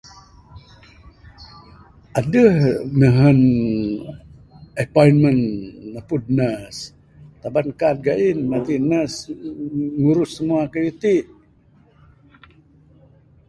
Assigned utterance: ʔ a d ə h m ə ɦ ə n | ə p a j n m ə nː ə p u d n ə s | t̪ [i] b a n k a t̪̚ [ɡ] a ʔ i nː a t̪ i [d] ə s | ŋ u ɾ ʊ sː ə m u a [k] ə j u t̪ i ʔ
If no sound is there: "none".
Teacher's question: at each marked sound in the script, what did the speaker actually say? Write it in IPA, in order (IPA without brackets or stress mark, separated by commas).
a, ɡ, n, k